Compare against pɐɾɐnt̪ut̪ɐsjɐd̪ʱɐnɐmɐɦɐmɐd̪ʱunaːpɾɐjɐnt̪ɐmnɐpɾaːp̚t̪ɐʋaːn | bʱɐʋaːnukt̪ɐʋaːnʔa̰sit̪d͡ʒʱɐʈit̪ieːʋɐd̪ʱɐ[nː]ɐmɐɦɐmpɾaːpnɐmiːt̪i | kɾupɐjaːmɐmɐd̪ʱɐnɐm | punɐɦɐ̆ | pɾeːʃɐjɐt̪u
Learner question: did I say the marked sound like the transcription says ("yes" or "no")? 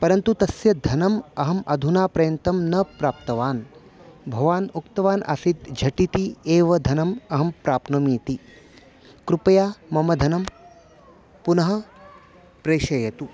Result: no